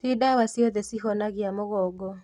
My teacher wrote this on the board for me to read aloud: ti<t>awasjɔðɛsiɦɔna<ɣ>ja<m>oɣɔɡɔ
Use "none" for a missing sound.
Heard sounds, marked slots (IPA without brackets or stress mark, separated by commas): d, ɣ, m